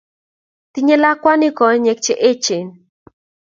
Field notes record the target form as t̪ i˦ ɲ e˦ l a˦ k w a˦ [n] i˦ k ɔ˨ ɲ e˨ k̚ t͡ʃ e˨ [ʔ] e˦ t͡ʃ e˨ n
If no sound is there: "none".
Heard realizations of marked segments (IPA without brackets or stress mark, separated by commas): n, ʔ